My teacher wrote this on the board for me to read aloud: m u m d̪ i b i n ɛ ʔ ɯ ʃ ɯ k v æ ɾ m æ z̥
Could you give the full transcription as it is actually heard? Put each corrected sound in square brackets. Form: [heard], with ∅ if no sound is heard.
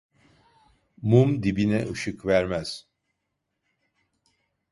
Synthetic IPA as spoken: m u m d̪ i b i n ɛ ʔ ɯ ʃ ɯ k v æ ɾ m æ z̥